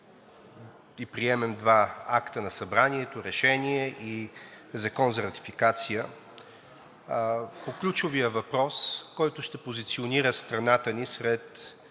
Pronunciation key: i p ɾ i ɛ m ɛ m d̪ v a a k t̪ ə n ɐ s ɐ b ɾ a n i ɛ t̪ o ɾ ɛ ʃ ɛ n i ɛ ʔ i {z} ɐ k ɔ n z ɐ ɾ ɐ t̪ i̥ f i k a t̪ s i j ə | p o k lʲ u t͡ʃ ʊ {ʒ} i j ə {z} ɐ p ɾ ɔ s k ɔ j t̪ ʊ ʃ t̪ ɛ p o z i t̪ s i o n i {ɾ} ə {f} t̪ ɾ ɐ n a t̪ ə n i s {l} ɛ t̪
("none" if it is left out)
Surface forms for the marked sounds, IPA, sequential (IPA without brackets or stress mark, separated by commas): z, v, v, ɾ, s, ɾ